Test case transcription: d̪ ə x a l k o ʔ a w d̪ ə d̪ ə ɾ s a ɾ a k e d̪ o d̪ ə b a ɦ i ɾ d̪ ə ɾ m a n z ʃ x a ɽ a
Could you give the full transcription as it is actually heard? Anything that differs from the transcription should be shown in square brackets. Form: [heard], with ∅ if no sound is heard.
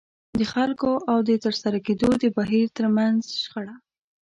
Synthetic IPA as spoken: d̪ ə x a l k o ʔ a w d̪ ə [t̪] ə ɾ s a ɾ a k e d̪ o d̪ ə b a ɦ i ɾ [t̪] ə ɾ m a n z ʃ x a ɽ a